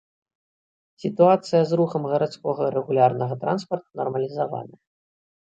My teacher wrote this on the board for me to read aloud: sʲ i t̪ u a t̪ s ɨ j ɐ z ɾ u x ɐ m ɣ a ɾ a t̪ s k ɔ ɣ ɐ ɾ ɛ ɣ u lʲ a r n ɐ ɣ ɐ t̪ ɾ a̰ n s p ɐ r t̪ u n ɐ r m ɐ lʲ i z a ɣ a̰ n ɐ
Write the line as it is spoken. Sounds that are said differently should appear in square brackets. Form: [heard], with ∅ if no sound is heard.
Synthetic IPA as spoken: sʲ i t̪ u a t̪ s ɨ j ɐ z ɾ u x ɐ m ɣ [ɐ] ɾ a t̪ s k ɔ ɣ ɐ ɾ ɛ ɣ u lʲ a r n ɐ ɣ ɐ t̪ ɾ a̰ n s p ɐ r t̪ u n ɐ r m ɐ lʲ i z a [v] a̰ n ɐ